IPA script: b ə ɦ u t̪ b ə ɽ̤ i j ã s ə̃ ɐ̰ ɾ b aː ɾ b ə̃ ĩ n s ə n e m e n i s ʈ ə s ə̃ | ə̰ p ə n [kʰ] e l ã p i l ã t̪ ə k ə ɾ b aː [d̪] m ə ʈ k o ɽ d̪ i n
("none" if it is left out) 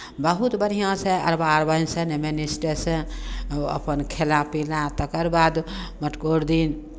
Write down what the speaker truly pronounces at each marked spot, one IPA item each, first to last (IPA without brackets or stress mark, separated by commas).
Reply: kʰ, d̪